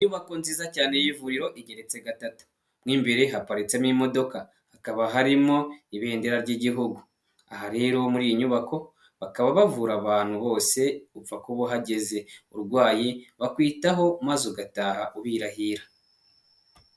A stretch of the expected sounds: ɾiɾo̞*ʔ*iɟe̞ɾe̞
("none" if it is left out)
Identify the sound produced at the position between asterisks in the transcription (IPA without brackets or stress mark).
ʔ